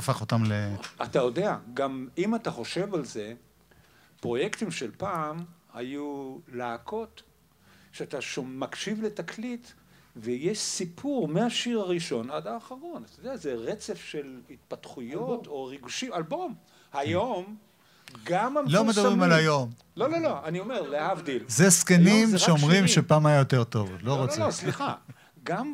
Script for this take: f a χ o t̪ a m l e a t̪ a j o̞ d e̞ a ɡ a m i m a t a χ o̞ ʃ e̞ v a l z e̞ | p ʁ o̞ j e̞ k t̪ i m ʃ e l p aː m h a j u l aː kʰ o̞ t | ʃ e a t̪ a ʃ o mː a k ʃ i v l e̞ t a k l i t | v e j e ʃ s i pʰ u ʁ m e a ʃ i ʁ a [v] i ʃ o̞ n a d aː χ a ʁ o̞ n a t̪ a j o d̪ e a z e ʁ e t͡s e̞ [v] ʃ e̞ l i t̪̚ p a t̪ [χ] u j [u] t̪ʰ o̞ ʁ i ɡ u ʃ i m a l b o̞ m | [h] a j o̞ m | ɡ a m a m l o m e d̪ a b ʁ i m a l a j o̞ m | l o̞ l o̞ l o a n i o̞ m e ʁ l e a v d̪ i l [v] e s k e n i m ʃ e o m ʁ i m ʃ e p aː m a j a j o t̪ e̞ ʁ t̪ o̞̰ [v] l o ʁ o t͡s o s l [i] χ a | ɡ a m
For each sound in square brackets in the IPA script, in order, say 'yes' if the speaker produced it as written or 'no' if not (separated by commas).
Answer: no, no, yes, no, yes, no, yes, yes